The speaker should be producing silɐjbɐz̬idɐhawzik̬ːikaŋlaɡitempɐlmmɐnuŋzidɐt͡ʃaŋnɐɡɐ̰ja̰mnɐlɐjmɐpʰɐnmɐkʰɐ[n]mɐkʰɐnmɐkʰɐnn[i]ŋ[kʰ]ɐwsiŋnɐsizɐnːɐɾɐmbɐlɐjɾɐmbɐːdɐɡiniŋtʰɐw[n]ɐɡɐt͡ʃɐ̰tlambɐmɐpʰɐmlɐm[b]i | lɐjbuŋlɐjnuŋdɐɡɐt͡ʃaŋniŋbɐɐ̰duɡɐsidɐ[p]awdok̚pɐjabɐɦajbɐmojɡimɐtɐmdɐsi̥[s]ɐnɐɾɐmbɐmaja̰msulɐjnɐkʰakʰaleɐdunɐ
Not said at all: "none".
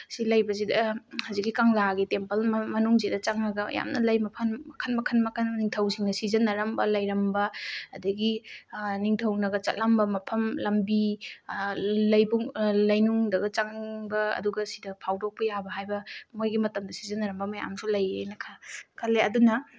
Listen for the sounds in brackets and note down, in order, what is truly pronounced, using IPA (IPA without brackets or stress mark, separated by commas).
n, i, tʰ, n, b, pʰ, z